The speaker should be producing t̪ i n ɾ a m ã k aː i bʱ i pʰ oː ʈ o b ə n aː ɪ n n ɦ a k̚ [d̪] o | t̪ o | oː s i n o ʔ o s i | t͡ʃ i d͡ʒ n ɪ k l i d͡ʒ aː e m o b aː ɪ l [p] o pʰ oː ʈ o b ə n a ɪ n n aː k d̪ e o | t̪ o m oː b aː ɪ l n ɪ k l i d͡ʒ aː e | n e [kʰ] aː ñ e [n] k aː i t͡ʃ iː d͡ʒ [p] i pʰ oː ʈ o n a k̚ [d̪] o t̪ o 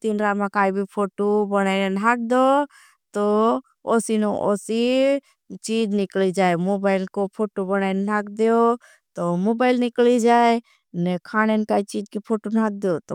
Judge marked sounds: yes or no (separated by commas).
yes, no, yes, yes, no, yes